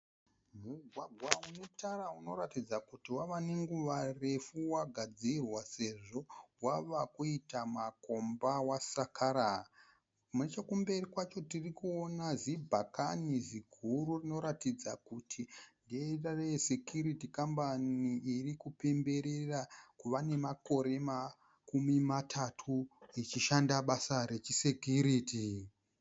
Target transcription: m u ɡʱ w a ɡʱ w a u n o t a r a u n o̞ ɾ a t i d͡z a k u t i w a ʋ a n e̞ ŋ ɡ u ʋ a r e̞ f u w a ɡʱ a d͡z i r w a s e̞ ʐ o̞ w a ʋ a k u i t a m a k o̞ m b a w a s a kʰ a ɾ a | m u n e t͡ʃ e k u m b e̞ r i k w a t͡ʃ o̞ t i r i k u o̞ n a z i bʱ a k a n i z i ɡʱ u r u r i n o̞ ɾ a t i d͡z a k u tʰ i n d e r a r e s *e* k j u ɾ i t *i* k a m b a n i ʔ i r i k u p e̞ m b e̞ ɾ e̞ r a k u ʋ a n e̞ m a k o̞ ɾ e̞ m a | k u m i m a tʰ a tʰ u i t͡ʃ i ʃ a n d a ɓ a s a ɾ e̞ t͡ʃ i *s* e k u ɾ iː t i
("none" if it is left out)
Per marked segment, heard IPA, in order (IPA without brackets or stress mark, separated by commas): e, i, s